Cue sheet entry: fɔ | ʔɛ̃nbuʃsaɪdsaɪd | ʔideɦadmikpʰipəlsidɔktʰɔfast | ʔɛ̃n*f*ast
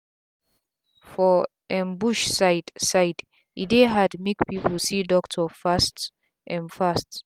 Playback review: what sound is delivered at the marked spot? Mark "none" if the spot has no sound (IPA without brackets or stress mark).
f